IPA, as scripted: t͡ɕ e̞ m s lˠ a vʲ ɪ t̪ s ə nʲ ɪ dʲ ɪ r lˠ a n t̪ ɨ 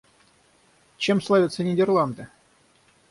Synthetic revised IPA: t͡ɕ e̞ m s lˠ a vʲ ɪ t̪ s ə nʲ ɪ dʲ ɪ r lˠ a n d̪ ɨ